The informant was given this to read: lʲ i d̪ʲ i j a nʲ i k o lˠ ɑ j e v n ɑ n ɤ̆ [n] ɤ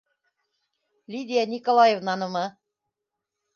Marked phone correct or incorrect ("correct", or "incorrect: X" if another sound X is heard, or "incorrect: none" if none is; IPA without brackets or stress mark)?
incorrect: m